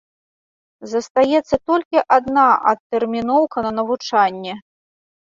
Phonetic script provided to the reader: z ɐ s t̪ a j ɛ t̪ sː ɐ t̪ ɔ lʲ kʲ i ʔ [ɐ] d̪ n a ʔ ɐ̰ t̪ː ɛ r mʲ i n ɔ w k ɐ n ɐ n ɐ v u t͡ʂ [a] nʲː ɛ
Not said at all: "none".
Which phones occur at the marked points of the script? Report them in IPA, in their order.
a, a

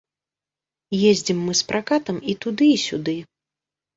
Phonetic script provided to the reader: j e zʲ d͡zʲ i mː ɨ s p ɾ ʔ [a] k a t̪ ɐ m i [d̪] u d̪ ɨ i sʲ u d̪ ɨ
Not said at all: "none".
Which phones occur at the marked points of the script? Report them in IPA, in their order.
a, t̪

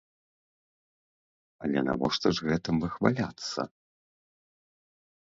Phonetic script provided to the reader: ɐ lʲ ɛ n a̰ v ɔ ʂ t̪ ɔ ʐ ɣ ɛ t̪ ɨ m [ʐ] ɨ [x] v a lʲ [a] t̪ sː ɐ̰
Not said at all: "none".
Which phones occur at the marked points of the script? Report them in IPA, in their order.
v, x, a

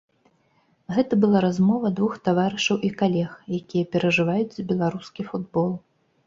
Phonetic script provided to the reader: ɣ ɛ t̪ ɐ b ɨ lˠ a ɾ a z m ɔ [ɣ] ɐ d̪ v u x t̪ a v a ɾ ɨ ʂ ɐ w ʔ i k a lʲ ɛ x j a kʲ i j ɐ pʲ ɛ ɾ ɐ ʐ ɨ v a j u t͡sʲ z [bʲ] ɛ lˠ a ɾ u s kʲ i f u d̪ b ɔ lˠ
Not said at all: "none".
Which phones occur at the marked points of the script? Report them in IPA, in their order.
v, bʲ

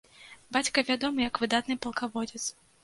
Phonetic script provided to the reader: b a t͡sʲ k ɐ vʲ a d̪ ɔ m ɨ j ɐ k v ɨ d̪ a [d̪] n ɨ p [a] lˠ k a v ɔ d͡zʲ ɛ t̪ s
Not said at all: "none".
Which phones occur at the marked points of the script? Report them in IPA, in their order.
t̪, ɐ

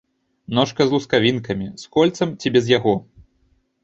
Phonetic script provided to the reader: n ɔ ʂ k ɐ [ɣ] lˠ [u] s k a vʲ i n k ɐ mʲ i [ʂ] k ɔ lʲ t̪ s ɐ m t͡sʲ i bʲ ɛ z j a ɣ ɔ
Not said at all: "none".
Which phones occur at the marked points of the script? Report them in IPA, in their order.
z, u, s

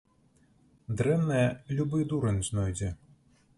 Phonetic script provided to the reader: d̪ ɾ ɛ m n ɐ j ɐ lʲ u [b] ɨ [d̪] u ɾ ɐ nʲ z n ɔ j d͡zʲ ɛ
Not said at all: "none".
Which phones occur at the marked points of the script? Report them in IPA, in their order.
b, d̪

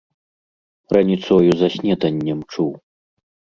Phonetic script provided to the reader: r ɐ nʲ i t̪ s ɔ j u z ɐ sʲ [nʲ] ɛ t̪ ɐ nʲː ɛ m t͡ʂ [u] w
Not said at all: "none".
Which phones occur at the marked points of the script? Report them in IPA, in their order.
nʲ, u

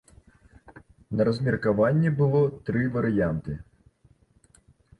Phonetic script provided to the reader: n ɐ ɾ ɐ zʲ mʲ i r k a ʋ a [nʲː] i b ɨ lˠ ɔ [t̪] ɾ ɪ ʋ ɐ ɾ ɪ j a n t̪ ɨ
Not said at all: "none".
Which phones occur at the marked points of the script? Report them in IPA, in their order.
nʲː, t̪

